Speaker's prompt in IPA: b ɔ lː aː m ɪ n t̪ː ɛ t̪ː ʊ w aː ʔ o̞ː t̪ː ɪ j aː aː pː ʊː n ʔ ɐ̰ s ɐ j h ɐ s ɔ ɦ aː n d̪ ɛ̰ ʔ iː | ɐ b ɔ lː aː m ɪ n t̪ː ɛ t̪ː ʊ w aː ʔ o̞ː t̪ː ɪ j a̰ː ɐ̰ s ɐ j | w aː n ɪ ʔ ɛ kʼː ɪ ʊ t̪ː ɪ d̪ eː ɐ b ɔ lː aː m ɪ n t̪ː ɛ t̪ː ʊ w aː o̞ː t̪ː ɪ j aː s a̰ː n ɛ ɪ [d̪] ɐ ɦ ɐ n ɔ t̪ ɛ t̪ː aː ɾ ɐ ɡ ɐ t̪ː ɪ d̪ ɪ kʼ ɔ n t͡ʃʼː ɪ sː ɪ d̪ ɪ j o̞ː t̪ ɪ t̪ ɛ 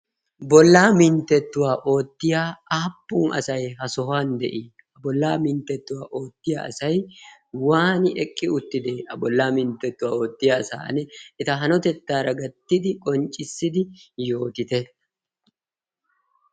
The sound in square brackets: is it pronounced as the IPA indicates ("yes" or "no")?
no